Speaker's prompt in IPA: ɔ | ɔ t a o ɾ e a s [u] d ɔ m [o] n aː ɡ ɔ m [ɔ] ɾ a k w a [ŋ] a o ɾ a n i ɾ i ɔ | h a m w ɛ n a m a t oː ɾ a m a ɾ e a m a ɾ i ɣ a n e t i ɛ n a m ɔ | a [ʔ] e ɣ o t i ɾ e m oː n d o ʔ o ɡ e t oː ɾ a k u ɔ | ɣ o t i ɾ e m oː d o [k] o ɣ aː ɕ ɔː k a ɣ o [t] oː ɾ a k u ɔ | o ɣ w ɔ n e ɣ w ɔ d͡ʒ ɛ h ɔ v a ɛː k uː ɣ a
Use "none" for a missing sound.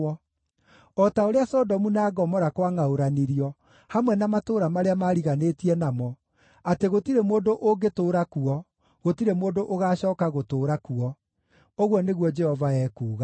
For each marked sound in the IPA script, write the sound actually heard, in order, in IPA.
ɔ, u, ɔ, ŋ, t, ʔ, t

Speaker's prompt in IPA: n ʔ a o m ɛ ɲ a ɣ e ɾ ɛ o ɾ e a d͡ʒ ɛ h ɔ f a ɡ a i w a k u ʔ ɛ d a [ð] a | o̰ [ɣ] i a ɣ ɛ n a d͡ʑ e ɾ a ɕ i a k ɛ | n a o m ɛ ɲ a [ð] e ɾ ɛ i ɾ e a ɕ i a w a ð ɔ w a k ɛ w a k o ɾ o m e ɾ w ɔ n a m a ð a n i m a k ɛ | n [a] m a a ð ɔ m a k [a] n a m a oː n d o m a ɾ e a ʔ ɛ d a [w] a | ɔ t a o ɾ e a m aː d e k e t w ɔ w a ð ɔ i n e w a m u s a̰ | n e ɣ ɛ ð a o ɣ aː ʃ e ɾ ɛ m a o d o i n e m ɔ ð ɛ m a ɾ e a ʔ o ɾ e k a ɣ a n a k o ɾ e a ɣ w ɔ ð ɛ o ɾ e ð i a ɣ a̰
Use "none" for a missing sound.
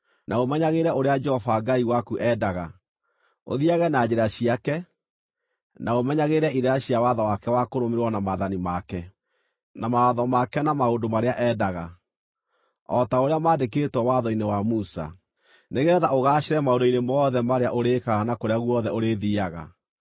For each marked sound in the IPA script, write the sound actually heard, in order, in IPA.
ɣ, ð, ɣ, a, ɛ, ɣ

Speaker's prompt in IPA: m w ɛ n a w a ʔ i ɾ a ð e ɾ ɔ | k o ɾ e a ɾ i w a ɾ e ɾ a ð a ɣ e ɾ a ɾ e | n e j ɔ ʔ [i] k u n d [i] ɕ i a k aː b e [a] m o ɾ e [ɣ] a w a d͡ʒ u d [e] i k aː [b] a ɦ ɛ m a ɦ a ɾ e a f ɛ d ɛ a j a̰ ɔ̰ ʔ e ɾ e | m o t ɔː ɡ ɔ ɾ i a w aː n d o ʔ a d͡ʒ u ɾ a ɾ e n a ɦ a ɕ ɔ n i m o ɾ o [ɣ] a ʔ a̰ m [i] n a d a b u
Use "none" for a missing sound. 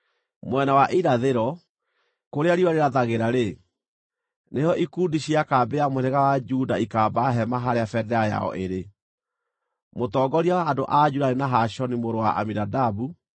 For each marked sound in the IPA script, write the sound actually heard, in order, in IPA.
i, i, a, ɣ, a, b, w, i

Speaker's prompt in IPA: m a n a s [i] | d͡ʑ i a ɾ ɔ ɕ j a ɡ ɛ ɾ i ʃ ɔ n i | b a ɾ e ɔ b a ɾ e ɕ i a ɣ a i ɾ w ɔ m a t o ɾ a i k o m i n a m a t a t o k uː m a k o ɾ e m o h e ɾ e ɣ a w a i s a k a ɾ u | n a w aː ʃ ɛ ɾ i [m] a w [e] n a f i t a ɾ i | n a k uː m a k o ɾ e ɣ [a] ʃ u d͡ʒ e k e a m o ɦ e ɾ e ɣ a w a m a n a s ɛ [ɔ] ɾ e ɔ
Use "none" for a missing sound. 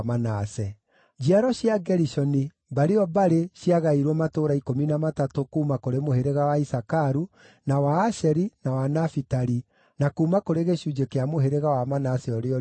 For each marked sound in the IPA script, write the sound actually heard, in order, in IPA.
ɛ, n, a, e, ɔ

